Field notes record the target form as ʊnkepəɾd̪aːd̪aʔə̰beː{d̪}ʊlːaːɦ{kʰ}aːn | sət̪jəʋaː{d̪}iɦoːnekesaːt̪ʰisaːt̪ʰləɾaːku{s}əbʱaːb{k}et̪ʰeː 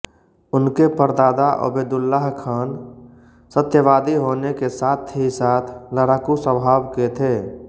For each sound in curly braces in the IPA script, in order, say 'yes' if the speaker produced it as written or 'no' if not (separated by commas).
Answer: yes, yes, yes, yes, yes